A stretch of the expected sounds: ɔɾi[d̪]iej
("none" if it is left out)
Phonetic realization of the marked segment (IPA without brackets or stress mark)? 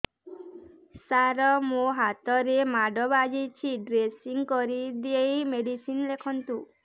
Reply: d̪